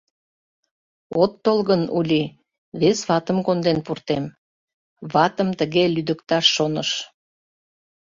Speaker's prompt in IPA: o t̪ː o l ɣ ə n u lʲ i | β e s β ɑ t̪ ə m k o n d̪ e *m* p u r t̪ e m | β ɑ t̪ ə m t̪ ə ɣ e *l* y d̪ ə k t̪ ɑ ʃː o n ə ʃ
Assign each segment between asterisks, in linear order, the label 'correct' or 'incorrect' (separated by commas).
incorrect, correct